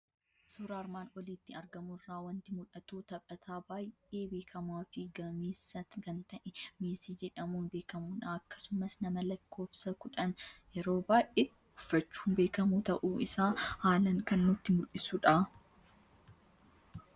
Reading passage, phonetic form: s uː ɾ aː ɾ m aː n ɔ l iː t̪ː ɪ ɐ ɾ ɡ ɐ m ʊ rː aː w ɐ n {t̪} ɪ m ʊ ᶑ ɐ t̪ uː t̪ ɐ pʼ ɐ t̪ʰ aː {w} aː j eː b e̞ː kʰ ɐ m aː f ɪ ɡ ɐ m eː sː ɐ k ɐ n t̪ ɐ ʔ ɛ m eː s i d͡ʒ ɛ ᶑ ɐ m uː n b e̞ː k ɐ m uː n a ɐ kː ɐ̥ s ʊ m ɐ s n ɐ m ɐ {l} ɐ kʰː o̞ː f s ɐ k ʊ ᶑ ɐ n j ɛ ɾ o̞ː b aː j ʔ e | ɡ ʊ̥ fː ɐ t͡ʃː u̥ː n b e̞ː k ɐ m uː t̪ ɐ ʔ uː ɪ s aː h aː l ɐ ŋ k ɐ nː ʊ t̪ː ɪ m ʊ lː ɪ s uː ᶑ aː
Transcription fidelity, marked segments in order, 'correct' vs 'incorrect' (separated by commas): correct, incorrect, correct